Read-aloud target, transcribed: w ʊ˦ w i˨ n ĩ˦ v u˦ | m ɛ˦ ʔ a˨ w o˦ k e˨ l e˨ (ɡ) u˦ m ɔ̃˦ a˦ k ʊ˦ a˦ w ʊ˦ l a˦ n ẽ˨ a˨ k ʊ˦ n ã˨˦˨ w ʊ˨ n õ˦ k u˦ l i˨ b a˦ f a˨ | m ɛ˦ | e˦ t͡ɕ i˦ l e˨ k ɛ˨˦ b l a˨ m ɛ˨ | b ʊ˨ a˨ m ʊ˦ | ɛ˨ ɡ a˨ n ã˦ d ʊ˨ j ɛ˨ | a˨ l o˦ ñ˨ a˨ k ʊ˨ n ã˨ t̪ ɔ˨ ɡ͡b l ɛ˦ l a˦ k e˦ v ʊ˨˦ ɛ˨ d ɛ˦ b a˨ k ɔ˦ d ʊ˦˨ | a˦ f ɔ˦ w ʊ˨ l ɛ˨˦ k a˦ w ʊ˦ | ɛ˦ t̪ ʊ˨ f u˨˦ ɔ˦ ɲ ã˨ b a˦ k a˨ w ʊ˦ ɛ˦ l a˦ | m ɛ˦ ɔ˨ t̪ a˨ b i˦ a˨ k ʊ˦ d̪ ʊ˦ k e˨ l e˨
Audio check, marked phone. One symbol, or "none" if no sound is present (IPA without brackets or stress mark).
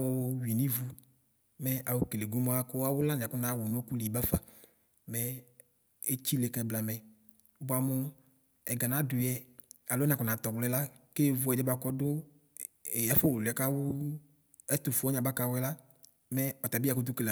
ɡ